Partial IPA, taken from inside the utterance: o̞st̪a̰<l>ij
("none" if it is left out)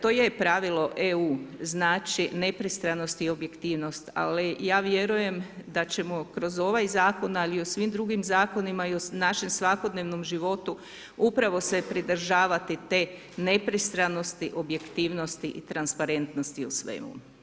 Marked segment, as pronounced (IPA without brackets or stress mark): l